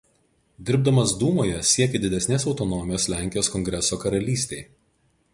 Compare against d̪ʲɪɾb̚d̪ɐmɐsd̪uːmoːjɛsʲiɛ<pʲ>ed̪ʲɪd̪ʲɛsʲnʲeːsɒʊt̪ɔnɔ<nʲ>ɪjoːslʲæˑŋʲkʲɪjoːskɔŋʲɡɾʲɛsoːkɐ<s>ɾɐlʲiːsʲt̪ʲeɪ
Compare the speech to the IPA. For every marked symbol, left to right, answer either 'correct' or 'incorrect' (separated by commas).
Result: incorrect, incorrect, incorrect